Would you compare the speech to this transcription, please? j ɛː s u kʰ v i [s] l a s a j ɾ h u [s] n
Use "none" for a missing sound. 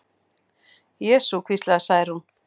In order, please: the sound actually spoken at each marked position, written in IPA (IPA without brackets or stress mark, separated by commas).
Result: s, none